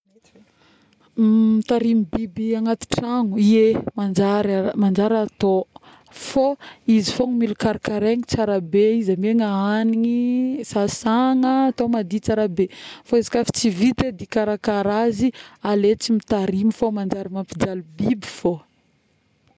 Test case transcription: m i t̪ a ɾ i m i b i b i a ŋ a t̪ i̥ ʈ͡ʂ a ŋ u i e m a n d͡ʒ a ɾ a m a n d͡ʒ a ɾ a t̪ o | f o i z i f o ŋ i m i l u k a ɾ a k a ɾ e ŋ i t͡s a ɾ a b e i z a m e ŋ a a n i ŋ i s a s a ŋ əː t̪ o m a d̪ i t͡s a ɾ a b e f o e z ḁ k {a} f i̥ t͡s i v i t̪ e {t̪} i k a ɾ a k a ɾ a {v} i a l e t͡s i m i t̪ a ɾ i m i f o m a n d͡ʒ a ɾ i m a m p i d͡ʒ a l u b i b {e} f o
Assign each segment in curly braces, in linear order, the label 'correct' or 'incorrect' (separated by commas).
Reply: correct, incorrect, incorrect, incorrect